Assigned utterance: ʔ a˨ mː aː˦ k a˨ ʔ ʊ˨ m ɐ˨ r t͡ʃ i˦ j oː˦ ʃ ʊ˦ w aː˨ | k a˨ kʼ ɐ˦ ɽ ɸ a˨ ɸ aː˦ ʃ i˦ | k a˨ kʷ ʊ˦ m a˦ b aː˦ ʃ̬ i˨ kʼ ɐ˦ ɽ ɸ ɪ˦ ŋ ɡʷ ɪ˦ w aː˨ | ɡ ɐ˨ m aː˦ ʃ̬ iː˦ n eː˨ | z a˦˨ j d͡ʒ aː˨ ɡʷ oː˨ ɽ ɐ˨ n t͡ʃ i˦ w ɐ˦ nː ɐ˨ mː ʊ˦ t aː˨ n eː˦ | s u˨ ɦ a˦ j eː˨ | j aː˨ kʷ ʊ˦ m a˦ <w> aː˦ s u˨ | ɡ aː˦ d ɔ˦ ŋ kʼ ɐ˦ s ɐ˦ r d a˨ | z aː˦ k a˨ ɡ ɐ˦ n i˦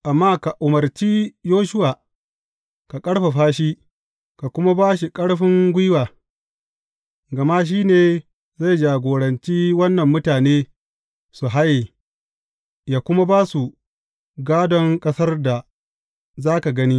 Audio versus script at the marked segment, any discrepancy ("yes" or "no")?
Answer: yes